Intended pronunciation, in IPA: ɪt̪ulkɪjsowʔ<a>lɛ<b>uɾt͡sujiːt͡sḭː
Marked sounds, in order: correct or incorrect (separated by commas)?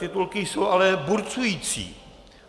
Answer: correct, correct